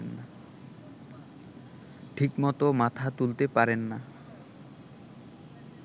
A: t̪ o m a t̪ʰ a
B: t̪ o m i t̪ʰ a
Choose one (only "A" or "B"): A